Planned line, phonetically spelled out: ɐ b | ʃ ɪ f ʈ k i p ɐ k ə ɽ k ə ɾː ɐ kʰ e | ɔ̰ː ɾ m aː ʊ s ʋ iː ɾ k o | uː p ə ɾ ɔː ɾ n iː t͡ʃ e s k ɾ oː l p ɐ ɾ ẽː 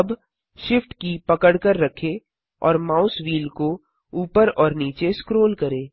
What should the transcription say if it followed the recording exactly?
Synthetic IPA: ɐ b | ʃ ɪ f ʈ k i p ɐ k ə ɽ k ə ɾː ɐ kʰ e | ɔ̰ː ɾ m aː ʊ s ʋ iː l k o | uː p ə ɾ ɔː ɾ n iː t͡ʃ e s k ɾ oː l k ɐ ɾ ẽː